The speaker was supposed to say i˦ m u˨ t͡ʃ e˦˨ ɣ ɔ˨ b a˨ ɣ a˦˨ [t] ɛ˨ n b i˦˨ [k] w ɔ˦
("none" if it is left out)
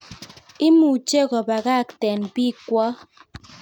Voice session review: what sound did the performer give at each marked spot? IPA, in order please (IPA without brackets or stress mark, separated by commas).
t, k